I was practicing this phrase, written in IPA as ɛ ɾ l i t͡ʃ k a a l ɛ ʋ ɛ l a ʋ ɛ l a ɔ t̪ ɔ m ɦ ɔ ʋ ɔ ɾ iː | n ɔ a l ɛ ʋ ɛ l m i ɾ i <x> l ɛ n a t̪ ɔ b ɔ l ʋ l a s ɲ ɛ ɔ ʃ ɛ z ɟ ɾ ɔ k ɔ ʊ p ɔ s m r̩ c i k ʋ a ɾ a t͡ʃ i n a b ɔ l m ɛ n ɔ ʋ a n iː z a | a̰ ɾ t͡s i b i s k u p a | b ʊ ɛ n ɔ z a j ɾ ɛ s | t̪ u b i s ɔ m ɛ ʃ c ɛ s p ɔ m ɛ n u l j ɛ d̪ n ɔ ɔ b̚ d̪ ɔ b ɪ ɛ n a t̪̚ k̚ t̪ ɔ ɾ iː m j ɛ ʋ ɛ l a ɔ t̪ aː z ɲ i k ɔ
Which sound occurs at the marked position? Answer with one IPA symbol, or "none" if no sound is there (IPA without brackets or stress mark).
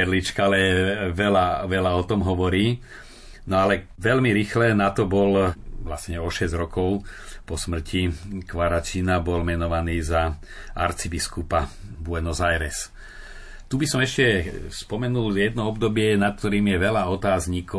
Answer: x